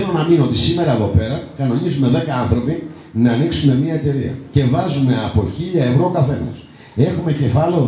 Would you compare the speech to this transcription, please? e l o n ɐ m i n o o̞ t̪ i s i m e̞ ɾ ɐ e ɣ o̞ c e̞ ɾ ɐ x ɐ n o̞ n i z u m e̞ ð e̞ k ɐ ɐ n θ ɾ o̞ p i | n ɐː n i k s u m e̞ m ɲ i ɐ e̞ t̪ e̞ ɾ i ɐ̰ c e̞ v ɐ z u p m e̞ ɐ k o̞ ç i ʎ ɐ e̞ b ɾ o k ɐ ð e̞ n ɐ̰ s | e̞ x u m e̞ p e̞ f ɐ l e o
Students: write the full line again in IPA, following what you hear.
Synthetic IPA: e l o n ɐ m i n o o̞ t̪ i s i m e̞ ɾ ɐ e ð o̞ p e̞ ɾ ɐ k ɐ n o̞ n i z u m e̞ ð e̞ k ɐ ɐ n θ ɾ o̞ p i | n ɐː n i k s u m e̞ m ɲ i ɐ e̞ t̪ e̞ ɾ i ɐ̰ c e̞ v ɐ z u m e̞ ɐ p o̞ ç i ʎ ɐ e̞ v ɾ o k ɐ θ e̞ n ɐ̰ s | e̞ x u m e̞ c e̞ f ɐ l e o